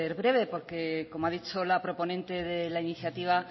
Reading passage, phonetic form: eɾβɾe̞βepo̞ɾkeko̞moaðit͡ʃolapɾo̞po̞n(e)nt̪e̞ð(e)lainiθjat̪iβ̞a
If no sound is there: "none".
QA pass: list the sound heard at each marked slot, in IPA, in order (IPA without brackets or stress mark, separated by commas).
ẽ, e